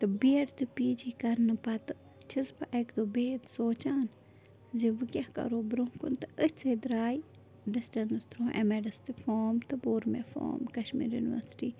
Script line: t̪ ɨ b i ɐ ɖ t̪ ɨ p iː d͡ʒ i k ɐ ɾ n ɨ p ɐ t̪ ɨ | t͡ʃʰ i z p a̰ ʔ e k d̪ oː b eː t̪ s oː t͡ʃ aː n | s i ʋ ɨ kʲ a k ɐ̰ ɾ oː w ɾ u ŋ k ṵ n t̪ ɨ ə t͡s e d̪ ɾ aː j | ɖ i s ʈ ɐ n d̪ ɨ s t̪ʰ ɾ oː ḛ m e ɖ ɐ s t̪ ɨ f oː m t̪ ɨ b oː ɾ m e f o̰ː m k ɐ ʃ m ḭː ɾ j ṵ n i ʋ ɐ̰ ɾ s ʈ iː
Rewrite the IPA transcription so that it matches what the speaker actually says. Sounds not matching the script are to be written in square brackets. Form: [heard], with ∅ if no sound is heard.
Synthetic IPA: t̪ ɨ b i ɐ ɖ t̪ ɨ p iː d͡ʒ i k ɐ ɾ n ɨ p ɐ t̪ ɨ | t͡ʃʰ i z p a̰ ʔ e k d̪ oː b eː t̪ s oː t͡ʃ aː n | [z] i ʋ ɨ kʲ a k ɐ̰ ɾ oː [b] ɾ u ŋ k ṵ n t̪ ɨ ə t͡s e d̪ ɾ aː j | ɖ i s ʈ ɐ n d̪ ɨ s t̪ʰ ɾ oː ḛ m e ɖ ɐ s t̪ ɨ f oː m t̪ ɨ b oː ɾ m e f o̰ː m k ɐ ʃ m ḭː ɾ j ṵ n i ʋ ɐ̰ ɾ s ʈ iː